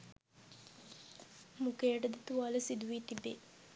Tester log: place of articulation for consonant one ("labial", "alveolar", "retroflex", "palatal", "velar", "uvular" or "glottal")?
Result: labial